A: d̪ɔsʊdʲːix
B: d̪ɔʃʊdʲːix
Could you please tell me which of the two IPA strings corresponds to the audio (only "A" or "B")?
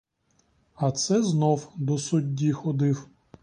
A